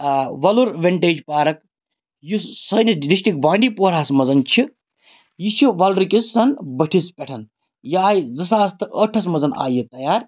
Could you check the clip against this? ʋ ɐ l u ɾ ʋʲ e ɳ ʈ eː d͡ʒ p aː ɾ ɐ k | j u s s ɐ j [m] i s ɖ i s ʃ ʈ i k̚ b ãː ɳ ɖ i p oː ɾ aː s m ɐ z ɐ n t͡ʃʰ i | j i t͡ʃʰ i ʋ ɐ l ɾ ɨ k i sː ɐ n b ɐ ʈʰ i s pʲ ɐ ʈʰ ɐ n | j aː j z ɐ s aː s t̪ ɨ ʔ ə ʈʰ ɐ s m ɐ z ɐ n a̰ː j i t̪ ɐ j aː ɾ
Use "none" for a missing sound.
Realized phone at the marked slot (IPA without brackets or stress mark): n